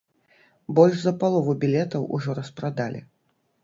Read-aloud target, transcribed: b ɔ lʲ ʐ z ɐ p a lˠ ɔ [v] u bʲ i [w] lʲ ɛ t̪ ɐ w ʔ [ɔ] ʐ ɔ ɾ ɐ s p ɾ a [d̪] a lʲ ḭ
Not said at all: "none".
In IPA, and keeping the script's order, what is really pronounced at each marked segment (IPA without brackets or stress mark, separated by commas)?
v, none, u, d̪